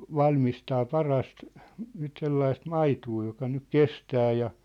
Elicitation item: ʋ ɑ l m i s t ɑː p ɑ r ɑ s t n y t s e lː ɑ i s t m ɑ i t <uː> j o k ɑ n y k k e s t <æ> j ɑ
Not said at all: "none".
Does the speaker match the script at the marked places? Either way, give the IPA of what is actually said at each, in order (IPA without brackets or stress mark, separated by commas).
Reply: uː, æː